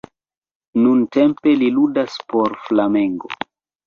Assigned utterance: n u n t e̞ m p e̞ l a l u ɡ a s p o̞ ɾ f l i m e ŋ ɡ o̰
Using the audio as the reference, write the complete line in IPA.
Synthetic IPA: n u n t e̞ m p e̞ l i l u d a s p o̞ ɾ f l a m e ŋ ɡ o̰